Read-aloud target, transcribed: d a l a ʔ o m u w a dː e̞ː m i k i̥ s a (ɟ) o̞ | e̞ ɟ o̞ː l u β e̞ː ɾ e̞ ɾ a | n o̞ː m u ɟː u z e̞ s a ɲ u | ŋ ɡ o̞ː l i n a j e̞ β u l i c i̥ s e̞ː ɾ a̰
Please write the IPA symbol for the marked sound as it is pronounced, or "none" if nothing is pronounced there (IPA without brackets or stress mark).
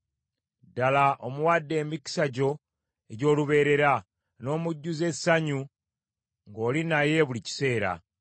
ɟ